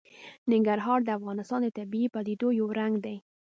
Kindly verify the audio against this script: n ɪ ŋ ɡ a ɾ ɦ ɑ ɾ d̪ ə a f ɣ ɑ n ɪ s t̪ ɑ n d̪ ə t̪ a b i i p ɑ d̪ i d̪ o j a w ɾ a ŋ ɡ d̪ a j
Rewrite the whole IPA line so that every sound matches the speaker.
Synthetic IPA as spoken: n ɪ ŋ ɡ a ɾ ɦ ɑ ɾ d̪ ə a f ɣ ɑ n ɪ s t̪ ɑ n d̪ ə t̪ a b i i p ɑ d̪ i d̪ o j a w ɾ a ŋ ɡ d̪ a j